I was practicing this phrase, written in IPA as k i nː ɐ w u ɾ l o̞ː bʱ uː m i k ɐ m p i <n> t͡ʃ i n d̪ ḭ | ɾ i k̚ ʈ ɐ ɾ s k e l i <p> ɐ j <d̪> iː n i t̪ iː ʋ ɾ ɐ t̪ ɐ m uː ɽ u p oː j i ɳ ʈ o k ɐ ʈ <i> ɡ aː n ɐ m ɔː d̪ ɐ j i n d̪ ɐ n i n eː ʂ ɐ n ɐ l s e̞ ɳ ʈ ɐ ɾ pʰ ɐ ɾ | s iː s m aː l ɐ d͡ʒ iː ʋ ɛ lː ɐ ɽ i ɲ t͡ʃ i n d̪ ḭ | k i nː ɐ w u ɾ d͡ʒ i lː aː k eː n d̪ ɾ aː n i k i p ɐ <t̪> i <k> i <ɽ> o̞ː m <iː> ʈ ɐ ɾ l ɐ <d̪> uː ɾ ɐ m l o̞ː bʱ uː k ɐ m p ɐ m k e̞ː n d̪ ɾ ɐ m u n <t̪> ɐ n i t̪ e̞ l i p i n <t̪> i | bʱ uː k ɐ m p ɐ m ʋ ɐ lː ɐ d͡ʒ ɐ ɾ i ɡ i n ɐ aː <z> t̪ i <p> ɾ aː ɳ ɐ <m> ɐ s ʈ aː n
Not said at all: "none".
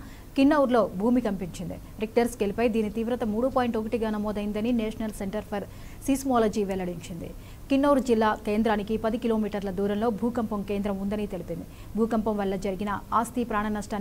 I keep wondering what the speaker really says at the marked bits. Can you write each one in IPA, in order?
ɲ, p, d̪, i, d̪, k, l, iː, d̪, d̪, d̪, s, p, n

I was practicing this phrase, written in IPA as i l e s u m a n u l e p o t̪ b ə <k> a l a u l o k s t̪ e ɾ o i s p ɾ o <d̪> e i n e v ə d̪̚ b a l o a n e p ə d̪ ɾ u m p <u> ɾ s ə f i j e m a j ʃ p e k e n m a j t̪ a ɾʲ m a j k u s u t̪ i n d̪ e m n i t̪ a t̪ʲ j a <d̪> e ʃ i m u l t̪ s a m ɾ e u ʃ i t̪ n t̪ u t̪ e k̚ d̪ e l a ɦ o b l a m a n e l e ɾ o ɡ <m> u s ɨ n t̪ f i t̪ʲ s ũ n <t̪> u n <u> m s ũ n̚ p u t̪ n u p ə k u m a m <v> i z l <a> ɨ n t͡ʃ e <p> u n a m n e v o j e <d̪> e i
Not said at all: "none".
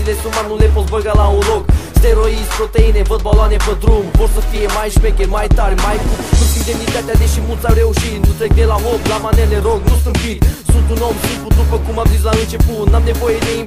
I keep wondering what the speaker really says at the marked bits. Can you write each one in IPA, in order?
ɡ, t̪, o, d̪, n, t̪, o, z, a, p, d̪

